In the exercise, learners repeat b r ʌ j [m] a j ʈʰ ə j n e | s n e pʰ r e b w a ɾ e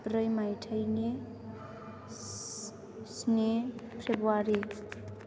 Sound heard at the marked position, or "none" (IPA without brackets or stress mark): m